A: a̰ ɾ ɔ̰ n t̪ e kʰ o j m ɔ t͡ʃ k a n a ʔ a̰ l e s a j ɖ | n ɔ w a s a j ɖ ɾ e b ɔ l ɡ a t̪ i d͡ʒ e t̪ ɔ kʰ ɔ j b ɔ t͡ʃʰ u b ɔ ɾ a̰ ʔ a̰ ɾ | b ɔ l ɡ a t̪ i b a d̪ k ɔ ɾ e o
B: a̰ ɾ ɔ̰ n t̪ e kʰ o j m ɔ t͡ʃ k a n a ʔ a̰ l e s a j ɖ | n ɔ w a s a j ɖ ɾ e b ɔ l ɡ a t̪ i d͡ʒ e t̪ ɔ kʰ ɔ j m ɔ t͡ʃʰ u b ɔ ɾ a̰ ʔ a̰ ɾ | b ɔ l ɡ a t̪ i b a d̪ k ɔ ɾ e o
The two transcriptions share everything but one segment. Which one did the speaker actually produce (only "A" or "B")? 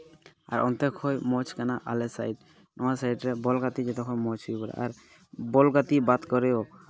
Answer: B